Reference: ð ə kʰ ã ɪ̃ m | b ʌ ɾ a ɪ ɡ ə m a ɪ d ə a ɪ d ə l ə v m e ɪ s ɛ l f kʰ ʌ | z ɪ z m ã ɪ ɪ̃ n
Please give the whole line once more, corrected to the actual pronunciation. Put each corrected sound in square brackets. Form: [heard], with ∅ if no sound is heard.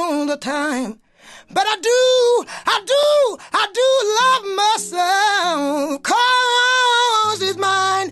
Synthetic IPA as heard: ð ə [tʰ] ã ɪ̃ m | b ʌ ɾ a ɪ [d] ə [∅] a ɪ d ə a ɪ d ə l [ʌ] v m [a] ɪ s ɛ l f kʰ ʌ | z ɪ z m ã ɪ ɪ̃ n